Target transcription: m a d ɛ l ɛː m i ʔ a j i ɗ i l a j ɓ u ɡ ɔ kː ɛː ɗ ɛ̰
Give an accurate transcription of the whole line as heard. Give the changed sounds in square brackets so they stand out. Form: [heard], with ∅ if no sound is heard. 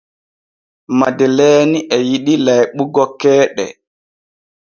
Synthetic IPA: m a d ɛ l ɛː [n] i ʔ [ɛ] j i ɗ i l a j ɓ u ɡ ɔ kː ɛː ɗ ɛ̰